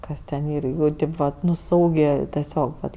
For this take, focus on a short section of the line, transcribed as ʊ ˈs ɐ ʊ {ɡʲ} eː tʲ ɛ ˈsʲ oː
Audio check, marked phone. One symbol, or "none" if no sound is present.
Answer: ɡʲ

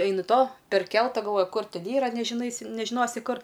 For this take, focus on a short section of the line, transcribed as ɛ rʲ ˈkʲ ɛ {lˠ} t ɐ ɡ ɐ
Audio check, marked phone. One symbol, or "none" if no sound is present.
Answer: lˠ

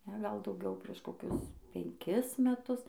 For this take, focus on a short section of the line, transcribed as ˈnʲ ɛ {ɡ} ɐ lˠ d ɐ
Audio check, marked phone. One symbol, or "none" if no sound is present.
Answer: ɡ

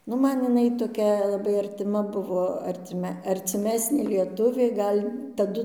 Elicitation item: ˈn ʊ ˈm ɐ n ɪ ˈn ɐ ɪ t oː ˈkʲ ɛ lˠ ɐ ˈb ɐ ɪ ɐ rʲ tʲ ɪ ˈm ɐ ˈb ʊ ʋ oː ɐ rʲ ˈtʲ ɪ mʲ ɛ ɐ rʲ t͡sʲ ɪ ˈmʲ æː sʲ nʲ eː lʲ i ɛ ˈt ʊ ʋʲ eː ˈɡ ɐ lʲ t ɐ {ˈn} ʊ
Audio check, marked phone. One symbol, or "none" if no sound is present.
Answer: d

